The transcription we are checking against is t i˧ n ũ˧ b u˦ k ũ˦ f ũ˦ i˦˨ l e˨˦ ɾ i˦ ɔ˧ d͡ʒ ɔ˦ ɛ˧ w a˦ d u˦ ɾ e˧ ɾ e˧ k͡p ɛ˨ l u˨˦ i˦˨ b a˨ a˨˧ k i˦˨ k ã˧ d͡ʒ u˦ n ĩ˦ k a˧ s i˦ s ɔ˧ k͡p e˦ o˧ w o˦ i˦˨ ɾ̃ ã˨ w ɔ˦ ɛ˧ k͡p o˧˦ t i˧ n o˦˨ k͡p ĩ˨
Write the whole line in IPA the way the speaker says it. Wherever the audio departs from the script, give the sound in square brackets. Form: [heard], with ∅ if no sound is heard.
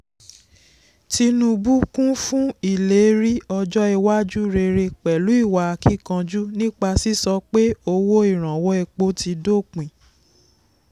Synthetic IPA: t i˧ n ũ˧ b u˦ k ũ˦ f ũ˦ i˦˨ l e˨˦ ɾ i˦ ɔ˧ d͡ʒ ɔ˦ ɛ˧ w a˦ [d͡ʒ] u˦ ɾ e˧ ɾ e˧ k͡p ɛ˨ l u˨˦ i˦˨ [w] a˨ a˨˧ k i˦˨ k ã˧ d͡ʒ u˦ n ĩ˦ [k͡p] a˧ s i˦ s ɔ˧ k͡p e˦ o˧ w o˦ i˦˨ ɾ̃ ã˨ w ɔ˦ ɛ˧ k͡p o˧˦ t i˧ [d] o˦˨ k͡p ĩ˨